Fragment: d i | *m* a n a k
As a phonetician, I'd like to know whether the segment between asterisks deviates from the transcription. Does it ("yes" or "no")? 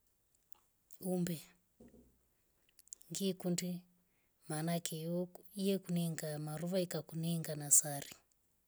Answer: no